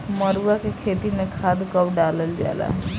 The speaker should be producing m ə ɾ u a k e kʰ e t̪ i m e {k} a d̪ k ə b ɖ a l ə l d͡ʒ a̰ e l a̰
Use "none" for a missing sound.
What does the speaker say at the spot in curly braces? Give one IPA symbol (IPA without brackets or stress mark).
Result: kʰ